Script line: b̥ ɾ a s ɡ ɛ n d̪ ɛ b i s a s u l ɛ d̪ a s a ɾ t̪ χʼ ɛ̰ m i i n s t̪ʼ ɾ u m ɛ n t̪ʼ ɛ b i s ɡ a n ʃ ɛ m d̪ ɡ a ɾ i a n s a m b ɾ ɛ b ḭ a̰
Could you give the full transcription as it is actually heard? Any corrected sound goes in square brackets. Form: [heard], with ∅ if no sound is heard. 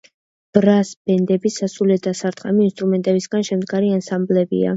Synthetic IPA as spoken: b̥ ɾ a s [b] ɛ n d̪ ɛ b i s a s u l ɛ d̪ a s a ɾ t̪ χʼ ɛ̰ m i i n s t̪ʼ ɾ u m ɛ n t̪ʼ ɛ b i s ɡ a n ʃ ɛ m d̪ ɡ a ɾ i a n s a m b [l] ɛ b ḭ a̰